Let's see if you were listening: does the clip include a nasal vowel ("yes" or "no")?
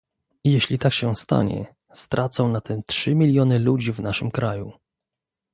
yes